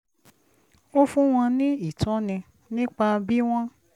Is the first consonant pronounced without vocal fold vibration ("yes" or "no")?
yes